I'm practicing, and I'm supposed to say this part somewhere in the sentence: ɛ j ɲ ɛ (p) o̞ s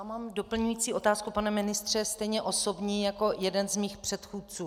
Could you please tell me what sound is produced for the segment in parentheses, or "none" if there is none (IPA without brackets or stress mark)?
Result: ʔ